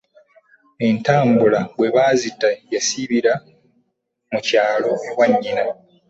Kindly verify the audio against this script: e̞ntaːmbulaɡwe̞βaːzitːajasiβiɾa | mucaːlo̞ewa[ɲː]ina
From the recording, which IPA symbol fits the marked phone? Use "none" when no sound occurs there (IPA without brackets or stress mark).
ɲː